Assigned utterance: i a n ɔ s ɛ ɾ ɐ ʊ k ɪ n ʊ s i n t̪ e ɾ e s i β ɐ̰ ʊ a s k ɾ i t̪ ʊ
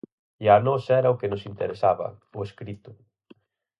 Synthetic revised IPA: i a n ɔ s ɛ ɾ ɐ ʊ k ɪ n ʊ s i n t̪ e ɾ e s a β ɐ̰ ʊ e s k ɾ i t̪ ʊ